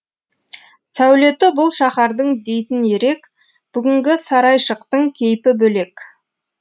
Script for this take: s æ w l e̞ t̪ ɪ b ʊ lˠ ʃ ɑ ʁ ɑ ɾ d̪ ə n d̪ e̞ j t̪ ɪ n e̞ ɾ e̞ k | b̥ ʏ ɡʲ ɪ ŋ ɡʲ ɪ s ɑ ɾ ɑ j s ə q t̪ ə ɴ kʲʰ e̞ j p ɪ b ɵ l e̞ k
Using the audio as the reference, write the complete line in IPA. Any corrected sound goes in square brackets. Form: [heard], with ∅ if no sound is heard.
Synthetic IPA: s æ w l e̞ t̪ ɪ b ʊ lˠ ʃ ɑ [χ] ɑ ɾ d̪ ə [ɴ] d̪ e̞ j t̪ ɪ n e̞ ɾ e̞ k | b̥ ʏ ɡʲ ɪ ŋ ɡʲ ɪ s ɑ ɾ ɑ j [ʃ] ə q t̪ ə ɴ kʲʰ e̞ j p ɪ b ɵ l e̞ k